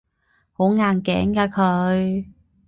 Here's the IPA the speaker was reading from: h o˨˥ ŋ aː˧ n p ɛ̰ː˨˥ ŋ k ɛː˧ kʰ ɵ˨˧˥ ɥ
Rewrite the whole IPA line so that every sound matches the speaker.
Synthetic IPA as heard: h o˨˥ ŋ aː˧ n k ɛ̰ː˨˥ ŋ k aː˧ kʰ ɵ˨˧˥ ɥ